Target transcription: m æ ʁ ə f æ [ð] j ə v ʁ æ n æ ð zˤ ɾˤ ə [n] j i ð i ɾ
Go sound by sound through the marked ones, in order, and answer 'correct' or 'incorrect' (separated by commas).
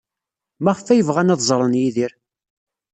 incorrect, correct